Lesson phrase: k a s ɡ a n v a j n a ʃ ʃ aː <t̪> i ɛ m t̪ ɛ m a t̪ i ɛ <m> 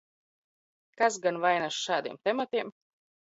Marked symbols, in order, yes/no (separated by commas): no, yes